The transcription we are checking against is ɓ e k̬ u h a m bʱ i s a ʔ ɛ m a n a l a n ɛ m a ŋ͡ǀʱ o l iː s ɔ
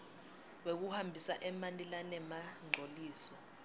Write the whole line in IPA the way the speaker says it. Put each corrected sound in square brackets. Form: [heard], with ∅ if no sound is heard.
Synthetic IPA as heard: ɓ e k̬ u h a m bʱ i s a ʔ ɛ m a n [i] l a n ɛ m a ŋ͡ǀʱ o l iː s ɔ